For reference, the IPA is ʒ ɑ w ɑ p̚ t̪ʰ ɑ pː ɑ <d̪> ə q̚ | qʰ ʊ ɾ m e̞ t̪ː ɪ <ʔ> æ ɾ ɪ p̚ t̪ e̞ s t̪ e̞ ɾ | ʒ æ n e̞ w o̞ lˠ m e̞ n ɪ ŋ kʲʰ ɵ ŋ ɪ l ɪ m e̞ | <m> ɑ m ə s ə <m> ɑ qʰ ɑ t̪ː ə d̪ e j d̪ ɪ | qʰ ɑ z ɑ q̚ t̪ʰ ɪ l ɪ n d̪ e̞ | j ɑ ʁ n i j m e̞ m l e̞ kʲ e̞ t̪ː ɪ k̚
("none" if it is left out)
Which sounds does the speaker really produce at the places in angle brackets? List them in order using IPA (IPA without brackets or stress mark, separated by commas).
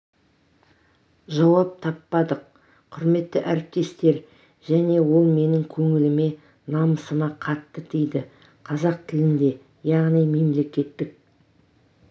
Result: d̪, ʔ, n, m